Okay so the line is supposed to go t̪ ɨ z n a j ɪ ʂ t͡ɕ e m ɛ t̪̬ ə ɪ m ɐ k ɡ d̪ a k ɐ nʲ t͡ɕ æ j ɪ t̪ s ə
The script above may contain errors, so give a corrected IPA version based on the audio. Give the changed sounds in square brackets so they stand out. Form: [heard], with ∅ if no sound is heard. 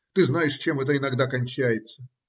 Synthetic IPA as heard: t̪ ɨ z n a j ɪ ʂ t͡ɕ e m ɛ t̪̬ ə ɪ [n] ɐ [∅] ɡ d̪ a k ɐ nʲ t͡ɕ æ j ɪ t̪ s ə